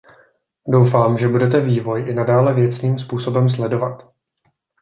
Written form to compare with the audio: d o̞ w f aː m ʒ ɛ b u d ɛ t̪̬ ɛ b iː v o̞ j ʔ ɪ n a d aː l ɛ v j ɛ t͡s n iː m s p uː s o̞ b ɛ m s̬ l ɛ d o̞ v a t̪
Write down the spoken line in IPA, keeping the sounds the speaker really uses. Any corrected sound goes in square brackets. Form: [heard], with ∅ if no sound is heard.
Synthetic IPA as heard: d o̞ w f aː m ʒ ɛ b u d ɛ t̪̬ ɛ [v] iː v o̞ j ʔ ɪ n a d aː l ɛ v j ɛ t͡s n iː m s p uː s o̞ b ɛ m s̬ l ɛ d o̞ v a t̪

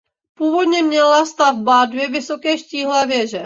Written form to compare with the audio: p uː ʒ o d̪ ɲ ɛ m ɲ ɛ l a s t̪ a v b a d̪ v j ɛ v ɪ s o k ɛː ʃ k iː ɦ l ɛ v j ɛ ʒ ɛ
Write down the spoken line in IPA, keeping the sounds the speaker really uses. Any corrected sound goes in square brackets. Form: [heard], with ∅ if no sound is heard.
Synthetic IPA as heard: p uː [v] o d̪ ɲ ɛ m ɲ ɛ l a s t̪ a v b a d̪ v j ɛ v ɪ s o k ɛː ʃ [c] iː ɦ l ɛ v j ɛ ʒ ɛ

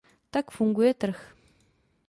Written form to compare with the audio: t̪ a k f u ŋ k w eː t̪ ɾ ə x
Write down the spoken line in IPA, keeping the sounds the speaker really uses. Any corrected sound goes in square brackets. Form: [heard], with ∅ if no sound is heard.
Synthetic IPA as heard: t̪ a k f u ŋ [ɡ] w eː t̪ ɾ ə x

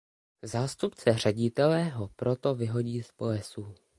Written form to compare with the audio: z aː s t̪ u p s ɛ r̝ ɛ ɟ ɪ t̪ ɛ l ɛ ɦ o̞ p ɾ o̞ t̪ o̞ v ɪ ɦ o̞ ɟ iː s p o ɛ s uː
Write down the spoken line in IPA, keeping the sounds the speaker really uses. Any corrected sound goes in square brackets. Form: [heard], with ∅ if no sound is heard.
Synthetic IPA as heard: z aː s t̪ u p [t͡s] ɛ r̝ ɛ ɟ ɪ t̪ ɛ l ɛ ɦ o̞ p ɾ o̞ t̪ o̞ v ɪ ɦ o̞ ɟ iː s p o ɛ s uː

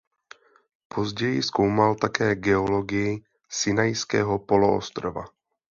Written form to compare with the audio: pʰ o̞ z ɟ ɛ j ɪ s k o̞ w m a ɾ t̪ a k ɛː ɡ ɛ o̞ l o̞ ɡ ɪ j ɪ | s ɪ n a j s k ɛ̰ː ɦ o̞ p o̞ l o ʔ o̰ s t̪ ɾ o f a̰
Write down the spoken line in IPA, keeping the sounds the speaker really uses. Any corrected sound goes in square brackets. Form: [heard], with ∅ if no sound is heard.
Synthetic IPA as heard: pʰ o̞ z ɟ ɛ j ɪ s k o̞ w m a [l] t̪ a k ɛː ɡ ɛ o̞ l o̞ ɡ ɪ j ɪ | s ɪ n a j s k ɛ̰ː ɦ o̞ p o̞ l o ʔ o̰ s t̪ ɾ o [v] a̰

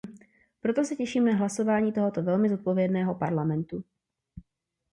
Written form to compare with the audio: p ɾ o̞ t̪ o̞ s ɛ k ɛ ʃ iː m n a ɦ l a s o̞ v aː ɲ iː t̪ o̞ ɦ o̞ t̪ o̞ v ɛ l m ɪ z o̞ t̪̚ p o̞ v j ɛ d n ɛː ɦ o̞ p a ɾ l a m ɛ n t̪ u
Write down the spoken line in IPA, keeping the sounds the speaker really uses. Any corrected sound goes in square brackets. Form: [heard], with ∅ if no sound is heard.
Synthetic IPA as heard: p ɾ o̞ t̪ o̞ s ɛ [c] ɛ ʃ iː m n a ɦ l a s o̞ v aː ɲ iː t̪ o̞ ɦ o̞ t̪ o̞ v ɛ l m ɪ z o̞ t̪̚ p o̞ v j ɛ d n ɛː ɦ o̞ p a ɾ l a m ɛ n t̪ u

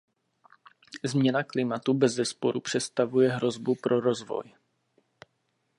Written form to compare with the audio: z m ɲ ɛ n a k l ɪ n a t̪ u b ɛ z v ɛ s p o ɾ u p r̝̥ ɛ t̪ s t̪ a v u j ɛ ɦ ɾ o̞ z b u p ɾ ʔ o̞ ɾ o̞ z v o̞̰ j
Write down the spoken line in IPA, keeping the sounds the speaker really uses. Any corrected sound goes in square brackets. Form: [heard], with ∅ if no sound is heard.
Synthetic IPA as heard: z m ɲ ɛ n a k l ɪ [m] a t̪ u b ɛ z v ɛ s p o ɾ u p r̝̥ ɛ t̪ s t̪ a v u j ɛ ɦ ɾ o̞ z b u p ɾ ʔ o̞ ɾ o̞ z v o̞̰ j

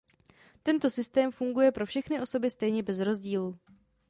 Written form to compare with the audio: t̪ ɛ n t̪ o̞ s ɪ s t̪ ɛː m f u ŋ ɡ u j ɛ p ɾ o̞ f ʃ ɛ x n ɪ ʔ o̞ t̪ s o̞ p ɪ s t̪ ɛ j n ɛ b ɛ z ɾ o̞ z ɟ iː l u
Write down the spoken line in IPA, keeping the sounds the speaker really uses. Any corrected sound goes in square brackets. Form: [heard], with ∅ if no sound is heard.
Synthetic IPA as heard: t̪ ɛ n t̪ o̞ s ɪ s t̪ ɛː m f u ŋ ɡ u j ɛ p ɾ o̞ f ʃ ɛ x n ɪ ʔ o̞ [∅] s o̞ [b] ɪ s t̪ ɛ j [ɲ] ɛ b ɛ z ɾ o̞ z ɟ iː l u

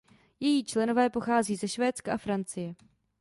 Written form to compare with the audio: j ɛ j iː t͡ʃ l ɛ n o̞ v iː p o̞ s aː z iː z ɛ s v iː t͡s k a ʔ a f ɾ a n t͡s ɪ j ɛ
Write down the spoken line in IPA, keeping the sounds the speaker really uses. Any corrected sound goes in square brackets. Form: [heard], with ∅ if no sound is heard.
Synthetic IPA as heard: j ɛ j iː t͡ʃ l ɛ n o̞ v [ɛː] p o̞ [x] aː z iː z ɛ [ʃ] v [ɛː] t͡s k a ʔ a f ɾ a n t͡s ɪ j ɛ

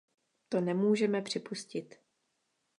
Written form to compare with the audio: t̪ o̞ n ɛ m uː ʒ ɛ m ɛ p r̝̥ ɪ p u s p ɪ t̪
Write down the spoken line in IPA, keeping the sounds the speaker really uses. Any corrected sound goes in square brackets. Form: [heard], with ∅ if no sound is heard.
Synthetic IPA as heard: t̪ o̞ n ɛ m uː ʒ ɛ m ɛ p r̝̥ ɪ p u s [c] ɪ t̪

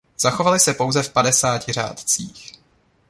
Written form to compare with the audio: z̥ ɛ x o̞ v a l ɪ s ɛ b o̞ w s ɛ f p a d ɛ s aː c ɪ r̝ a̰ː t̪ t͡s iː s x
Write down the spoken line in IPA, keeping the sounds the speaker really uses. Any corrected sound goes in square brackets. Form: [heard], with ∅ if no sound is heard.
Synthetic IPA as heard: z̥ [a] x o̞ v a l ɪ s ɛ [p] o̞ w [z] ɛ f p a d ɛ s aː c ɪ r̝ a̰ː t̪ t͡s iː [∅] x

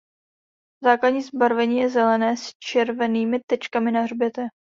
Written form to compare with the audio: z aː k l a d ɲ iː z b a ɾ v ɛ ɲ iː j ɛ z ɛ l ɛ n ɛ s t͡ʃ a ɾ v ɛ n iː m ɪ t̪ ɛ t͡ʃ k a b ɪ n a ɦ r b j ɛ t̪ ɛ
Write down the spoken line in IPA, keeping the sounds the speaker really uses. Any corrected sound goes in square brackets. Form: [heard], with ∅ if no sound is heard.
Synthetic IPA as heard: z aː k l a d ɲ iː z b a ɾ v ɛ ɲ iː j ɛ z ɛ l ɛ n [ɛː] s t͡ʃ [ɛ] ɾ v ɛ n iː m ɪ t̪ ɛ t͡ʃ k a [m] ɪ n a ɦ r b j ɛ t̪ ɛ

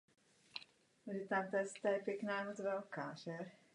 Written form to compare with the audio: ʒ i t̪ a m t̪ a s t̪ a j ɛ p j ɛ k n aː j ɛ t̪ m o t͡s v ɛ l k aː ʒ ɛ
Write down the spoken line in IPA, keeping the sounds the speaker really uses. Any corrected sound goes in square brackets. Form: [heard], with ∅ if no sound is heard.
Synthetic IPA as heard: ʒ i t̪ a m t̪ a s t̪ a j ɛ p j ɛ k n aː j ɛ [∅] m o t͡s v ɛ l k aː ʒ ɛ

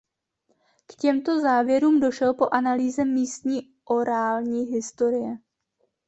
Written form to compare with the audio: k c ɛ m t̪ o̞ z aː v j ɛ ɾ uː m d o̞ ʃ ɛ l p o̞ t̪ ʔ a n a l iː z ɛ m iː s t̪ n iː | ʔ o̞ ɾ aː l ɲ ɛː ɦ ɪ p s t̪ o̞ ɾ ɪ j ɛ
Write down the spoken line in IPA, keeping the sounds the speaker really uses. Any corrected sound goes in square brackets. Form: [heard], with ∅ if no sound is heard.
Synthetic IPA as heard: k c ɛ m t̪ o̞ z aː v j ɛ ɾ uː m d o̞ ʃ ɛ l p o̞ [∅] ʔ a n a l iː z ɛ m iː s t̪ [ɲ] iː | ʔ o̞ ɾ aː l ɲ [iː] ɦ ɪ [∅] s t̪ o̞ ɾ ɪ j ɛ

